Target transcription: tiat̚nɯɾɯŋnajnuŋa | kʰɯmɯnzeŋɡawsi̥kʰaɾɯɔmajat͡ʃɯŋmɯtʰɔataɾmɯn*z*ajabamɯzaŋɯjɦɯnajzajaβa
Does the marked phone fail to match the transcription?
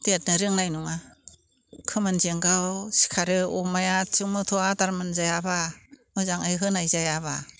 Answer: no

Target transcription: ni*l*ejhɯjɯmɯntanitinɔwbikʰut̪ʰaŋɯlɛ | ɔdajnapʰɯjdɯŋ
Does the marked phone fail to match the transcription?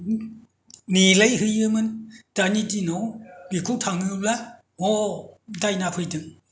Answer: no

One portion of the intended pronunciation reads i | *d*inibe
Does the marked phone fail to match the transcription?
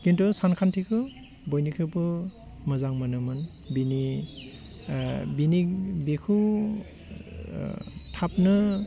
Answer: yes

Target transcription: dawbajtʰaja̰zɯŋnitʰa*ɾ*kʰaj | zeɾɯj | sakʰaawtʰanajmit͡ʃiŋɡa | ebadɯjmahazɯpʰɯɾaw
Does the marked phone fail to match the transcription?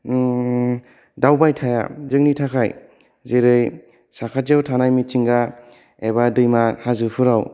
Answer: yes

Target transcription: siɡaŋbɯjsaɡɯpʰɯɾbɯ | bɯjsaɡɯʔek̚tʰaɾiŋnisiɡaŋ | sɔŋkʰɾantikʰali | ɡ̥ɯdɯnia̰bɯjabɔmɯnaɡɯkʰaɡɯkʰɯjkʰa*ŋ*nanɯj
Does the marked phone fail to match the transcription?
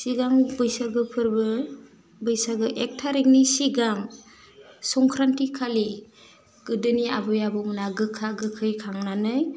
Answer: no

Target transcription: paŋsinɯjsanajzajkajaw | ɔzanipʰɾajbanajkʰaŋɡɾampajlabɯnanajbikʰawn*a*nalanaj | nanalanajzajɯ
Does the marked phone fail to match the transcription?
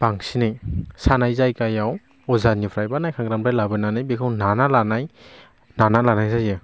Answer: no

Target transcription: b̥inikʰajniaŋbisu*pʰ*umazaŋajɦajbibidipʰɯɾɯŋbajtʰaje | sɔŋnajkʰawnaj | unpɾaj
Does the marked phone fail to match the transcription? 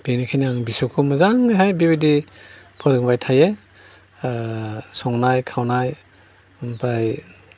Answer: yes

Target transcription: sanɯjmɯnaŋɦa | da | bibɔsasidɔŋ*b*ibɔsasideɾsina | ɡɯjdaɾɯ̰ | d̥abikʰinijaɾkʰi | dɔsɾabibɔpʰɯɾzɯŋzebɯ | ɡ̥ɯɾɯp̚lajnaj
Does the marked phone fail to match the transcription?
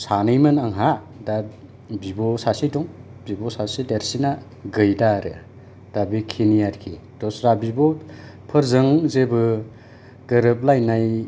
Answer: no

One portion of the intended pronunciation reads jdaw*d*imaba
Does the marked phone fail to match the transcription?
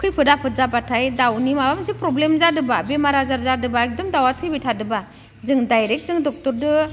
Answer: yes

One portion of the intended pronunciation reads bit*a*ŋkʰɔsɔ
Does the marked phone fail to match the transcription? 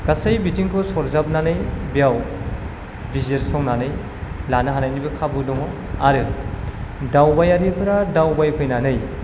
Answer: yes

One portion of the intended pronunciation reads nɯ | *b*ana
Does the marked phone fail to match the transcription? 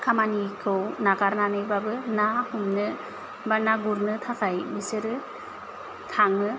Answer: no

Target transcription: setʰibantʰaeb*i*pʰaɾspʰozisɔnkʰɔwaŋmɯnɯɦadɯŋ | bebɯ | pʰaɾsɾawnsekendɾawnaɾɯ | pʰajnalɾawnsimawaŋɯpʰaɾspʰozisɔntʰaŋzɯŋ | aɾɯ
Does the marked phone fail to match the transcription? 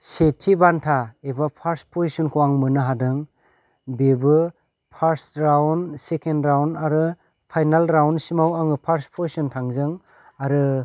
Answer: yes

